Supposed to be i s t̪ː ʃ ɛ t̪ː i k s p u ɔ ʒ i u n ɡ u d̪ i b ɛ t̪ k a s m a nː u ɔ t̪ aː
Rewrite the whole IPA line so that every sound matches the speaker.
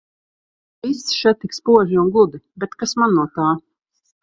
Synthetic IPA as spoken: i s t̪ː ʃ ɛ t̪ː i k s p u ɔ ʒ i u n ɡ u d̪ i b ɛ t̪ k a s m a nː u ɔ t̪ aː